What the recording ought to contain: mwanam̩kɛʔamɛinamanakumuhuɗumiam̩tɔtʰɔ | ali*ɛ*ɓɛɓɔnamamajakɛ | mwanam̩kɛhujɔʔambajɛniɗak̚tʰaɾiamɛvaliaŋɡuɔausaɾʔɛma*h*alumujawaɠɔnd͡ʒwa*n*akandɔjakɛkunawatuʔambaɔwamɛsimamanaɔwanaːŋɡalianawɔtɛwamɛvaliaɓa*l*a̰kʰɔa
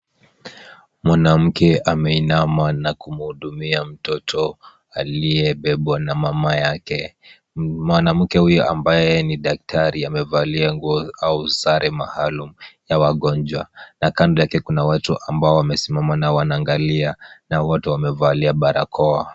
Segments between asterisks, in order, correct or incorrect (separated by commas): correct, correct, correct, incorrect